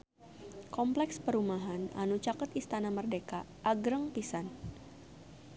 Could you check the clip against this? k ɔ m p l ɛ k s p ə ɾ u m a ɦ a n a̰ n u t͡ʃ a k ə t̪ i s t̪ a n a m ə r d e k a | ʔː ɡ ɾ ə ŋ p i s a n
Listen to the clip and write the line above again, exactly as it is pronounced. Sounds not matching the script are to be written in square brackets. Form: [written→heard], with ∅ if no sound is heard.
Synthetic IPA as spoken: k ɔ m p l ɛ k s p ə ɾ u m a ɦ a n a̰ n u t͡ʃ a k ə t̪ i s t̪ a n a m ə r d e k a | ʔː ɡ ɾ ə ŋ p i s a n